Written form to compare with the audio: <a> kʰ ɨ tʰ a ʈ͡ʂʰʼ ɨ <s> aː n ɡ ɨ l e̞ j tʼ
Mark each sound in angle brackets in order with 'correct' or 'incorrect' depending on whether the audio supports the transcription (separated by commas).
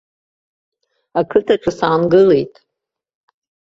correct, correct